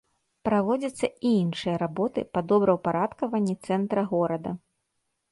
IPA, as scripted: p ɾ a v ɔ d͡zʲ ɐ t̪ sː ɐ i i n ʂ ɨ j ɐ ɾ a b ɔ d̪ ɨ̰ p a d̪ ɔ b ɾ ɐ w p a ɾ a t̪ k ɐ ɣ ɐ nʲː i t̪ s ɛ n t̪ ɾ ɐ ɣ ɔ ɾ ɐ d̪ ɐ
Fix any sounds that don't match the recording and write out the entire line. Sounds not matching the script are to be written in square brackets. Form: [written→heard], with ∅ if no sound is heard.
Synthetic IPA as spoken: p ɾ a v ɔ d͡zʲ ɐ t̪ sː ɐ i i n ʂ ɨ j ɐ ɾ a b ɔ [d̪→t̪] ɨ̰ p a d̪ ɔ b ɾ ɐ w p a ɾ a t̪ k ɐ [ɣ→v] ɐ nʲː i t̪ s ɛ n t̪ ɾ ɐ ɣ ɔ ɾ ɐ d̪ ɐ